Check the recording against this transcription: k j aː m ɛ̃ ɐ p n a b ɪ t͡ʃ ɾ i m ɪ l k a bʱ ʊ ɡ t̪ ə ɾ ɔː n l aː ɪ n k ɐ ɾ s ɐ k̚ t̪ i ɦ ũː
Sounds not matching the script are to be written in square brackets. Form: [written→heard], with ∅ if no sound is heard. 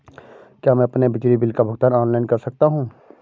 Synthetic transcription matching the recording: k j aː m ɛ̃ ɐ p n [a→e] b ɪ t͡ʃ ɾ i [m→b] ɪ l k a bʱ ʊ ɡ t̪ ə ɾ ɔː n l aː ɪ n k ɐ ɾ s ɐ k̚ t̪ [i→a] ɦ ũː